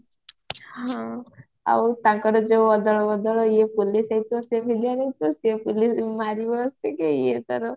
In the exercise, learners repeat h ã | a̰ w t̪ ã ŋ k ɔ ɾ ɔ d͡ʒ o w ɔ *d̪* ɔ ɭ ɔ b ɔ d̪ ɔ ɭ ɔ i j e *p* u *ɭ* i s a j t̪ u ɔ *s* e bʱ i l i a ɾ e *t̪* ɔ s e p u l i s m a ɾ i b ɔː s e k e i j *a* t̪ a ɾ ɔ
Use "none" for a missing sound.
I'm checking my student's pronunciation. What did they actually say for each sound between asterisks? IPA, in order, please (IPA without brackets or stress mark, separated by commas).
d̪, p, l, s, t̪, e